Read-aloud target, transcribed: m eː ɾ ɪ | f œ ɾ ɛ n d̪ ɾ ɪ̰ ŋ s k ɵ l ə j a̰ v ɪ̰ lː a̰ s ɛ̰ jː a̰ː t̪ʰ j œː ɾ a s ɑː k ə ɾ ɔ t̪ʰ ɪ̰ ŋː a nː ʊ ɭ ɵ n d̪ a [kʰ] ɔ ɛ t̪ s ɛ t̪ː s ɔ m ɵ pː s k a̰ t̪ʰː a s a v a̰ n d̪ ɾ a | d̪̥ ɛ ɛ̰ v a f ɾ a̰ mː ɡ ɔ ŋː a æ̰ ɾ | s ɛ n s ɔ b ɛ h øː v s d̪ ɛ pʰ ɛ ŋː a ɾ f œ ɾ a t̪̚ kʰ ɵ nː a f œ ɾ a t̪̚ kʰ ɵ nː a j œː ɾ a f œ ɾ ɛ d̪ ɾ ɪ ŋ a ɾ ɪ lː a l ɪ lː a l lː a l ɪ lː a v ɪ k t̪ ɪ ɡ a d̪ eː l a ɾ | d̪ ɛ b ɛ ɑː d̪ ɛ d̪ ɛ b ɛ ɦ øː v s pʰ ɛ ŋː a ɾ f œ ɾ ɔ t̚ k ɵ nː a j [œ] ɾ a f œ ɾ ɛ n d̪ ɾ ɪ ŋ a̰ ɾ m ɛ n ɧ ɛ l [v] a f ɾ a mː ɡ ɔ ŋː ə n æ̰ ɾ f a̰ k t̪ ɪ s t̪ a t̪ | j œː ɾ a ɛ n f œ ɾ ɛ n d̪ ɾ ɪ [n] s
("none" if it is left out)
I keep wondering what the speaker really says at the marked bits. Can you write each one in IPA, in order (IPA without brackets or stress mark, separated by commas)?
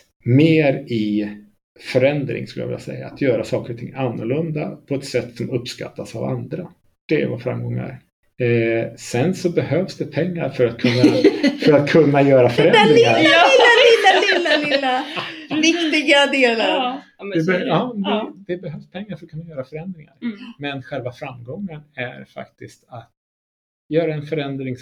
pʰ, œː, v, ŋ